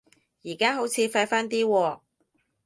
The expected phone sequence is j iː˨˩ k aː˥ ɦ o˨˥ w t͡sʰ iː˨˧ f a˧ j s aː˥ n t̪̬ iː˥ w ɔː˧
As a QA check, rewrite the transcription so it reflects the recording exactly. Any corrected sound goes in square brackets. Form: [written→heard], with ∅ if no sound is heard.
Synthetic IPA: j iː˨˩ k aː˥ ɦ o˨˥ w t͡sʰ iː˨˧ f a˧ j [s→f] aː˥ n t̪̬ iː˥ w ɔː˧